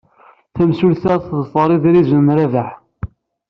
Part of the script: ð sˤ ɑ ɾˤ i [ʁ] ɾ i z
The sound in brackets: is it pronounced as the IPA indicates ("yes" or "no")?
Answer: no